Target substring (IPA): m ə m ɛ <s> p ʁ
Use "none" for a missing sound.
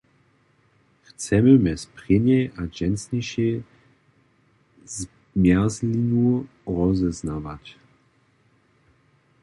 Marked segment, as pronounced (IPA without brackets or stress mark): s